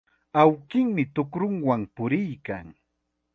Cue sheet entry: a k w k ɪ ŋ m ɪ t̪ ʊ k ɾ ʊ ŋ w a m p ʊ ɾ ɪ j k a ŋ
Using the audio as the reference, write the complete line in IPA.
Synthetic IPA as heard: a w k ɪ ŋ m ɪ t̪ ʊ k ɾ ʊ ŋ w a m p ʊ ɾ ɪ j k a ŋ